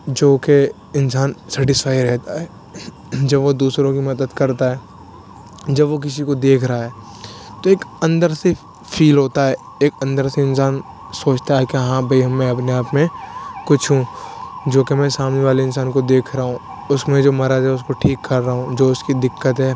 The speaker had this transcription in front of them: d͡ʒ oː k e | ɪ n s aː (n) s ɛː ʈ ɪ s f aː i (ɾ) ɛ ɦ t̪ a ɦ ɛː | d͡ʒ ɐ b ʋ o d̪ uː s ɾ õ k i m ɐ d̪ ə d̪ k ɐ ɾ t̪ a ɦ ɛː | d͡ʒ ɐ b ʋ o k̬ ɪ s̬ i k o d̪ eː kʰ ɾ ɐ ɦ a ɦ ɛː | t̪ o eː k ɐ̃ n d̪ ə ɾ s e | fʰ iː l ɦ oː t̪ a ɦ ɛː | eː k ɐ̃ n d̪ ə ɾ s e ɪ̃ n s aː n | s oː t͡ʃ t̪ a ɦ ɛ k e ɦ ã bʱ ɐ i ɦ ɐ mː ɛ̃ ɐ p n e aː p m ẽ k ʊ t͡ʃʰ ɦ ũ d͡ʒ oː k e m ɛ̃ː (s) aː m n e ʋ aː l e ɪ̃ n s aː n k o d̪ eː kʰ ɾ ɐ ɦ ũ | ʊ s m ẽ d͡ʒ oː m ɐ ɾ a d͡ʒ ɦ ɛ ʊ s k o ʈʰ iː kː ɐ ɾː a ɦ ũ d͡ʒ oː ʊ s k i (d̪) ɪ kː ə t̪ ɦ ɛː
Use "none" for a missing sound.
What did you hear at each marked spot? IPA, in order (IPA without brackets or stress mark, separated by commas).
n, ɾ, s, d̪